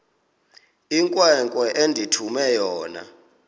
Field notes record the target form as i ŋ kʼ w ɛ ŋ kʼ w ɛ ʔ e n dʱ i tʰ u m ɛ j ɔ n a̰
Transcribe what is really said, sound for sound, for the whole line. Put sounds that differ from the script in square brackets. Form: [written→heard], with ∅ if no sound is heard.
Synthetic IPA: i ŋ kʼ w ɛ ŋ kʼ w ɛ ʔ e n dʱ i tʰ u m ɛ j [ɔ→ɔː] n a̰